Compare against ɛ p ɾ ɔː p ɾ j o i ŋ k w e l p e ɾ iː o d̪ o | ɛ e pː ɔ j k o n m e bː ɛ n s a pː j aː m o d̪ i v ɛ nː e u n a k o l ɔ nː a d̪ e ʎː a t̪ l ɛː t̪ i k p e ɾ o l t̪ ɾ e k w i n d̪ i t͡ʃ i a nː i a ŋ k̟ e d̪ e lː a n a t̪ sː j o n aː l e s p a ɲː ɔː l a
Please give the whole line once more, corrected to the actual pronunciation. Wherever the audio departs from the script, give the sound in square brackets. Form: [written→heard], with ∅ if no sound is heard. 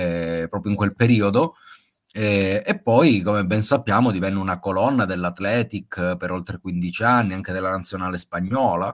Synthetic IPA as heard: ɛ p ɾ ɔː p ɾ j o i ŋ k w e l p e ɾ iː o d̪ o | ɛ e pː ɔ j k o [n→∅] m e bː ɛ n s a pː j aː m o d̪ i v ɛ nː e u n a k o l ɔ nː a d̪ e [ʎː→lː] a t̪ l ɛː t̪ i k p e ɾ o l t̪ ɾ e k w i n d̪ i t͡ʃ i a nː i a ŋ k̟ e d̪ e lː a n a t̪ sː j o n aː l e s p a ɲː ɔː l a